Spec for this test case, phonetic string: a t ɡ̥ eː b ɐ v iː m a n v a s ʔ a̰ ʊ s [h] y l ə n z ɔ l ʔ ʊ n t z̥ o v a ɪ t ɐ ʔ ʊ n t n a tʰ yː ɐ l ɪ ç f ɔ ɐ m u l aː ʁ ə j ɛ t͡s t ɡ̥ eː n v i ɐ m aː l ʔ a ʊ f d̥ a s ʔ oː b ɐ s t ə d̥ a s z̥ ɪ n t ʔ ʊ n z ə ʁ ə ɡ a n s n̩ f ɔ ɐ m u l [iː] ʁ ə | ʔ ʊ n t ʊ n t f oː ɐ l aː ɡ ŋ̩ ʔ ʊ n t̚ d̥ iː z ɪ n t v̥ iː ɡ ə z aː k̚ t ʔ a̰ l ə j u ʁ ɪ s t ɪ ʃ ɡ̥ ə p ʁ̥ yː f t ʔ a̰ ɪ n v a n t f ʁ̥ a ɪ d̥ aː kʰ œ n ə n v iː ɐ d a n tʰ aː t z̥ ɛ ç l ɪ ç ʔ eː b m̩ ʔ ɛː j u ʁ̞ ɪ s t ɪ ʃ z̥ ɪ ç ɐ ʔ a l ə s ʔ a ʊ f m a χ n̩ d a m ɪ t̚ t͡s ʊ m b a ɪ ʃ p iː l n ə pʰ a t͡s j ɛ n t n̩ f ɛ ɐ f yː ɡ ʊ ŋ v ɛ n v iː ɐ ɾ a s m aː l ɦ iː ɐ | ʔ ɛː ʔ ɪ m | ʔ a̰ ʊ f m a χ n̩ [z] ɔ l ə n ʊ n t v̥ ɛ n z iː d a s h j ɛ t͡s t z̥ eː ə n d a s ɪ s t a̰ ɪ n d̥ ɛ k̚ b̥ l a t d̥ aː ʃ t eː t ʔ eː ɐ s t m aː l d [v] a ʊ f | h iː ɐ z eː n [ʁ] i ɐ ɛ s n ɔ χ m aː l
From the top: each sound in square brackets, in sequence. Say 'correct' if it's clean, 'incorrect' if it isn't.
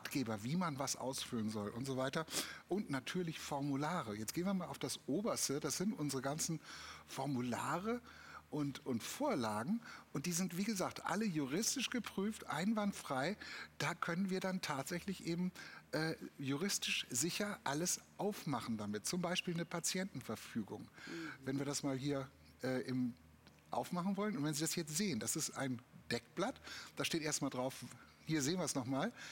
incorrect: f, incorrect: aː, incorrect: v, incorrect: ʁ, incorrect: v

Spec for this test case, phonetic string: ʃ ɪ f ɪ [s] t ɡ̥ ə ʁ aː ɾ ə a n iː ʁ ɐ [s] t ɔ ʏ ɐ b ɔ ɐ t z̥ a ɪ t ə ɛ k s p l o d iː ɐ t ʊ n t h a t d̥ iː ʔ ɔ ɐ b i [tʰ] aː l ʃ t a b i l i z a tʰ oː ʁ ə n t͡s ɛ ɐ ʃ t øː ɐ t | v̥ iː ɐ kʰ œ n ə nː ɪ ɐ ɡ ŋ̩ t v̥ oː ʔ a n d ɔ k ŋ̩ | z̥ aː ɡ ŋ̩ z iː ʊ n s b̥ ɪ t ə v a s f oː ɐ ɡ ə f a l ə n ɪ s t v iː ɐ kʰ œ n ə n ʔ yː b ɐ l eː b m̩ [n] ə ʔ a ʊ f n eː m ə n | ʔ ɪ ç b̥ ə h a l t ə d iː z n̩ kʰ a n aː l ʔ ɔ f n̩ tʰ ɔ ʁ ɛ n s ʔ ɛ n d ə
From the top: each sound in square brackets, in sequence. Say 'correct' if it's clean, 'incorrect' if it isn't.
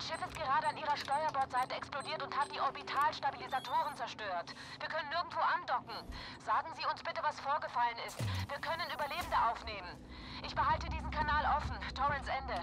correct, incorrect: ʃ, correct, incorrect: d

